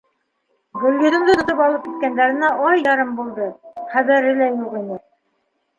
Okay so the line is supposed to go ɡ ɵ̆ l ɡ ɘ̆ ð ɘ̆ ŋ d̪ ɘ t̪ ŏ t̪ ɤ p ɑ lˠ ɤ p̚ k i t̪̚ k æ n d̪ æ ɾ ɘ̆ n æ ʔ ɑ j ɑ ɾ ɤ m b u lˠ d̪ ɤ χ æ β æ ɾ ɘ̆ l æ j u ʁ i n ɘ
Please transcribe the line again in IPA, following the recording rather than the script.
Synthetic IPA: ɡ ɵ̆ l ɡ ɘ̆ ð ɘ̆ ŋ d̪ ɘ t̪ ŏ t̪ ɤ p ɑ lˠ ɤ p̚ k i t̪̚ k æ n d̪ æ ɾ ɘ̆ n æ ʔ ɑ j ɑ ɾ ɤ m b u lˠ d̪ ɤ χ æ β æ ɾ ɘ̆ l æ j u ʁ i n ɘ